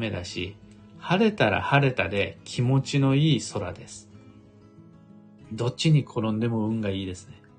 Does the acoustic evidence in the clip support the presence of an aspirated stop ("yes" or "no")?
yes